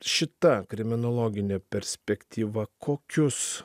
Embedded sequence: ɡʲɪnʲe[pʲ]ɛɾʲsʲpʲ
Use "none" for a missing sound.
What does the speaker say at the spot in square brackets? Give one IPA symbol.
pʲ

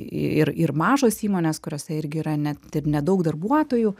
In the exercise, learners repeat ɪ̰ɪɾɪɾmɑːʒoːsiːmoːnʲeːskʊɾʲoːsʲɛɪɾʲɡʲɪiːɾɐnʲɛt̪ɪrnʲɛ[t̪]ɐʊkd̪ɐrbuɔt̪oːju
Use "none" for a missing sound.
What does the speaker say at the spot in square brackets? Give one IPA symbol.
d̪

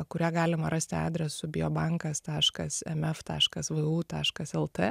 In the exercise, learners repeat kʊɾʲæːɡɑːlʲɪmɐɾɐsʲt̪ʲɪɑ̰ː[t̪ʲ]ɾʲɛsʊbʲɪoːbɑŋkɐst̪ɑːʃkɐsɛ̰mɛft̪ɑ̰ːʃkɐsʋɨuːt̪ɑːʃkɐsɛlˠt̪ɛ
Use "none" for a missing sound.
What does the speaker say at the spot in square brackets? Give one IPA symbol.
d̪ʲ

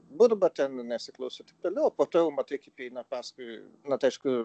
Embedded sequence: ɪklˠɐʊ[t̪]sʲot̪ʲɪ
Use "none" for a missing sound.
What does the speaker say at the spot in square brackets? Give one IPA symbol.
none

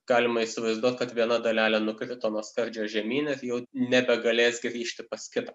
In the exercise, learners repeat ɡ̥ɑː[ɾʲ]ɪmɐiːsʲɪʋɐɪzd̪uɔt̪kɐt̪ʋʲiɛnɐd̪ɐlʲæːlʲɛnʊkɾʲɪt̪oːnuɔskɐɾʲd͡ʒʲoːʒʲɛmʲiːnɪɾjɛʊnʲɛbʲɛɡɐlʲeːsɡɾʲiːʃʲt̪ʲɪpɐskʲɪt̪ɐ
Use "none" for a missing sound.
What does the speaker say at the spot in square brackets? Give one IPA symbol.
lʲ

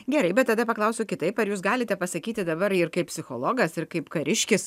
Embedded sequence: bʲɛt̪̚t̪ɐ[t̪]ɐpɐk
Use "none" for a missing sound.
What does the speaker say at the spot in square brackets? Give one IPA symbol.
d̪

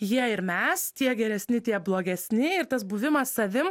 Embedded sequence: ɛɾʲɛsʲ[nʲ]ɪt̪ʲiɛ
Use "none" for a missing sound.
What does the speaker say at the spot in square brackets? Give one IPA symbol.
nʲ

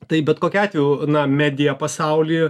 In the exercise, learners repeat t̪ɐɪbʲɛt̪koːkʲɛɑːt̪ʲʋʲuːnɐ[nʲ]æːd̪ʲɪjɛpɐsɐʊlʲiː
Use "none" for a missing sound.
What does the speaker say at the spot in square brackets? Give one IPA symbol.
mʲ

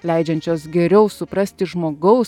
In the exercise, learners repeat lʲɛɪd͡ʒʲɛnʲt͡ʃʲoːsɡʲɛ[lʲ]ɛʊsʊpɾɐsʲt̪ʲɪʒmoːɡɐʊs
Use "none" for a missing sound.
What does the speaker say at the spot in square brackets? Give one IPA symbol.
ɾʲ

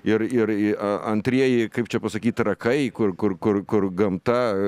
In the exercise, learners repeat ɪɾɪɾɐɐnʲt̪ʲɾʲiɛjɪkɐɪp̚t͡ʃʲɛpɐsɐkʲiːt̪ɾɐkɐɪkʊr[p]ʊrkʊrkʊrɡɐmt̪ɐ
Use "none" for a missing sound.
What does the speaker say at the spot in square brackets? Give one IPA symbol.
k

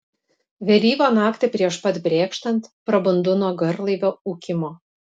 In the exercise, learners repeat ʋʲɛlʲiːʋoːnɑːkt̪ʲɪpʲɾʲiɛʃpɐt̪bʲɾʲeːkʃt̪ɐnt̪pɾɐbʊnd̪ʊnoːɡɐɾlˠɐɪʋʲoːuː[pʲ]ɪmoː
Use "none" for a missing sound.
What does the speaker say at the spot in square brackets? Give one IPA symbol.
kʲ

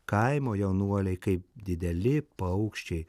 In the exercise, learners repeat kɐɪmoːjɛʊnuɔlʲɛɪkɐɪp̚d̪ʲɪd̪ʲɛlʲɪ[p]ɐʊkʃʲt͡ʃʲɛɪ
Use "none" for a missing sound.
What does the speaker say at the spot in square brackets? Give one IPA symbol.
p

